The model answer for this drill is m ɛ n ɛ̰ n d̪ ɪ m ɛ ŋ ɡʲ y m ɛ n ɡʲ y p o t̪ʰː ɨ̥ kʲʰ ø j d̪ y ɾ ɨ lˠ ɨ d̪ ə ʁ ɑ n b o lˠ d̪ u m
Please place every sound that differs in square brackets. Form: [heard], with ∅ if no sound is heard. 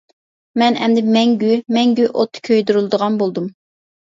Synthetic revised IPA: m ɛ n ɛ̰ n d̪ ɪ m ɛ ŋ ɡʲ y m ɛ [ŋ] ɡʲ y [ʔ] o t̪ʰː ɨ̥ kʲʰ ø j d̪ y ɾ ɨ lˠ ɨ d̪ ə ʁ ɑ n b o lˠ d̪ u m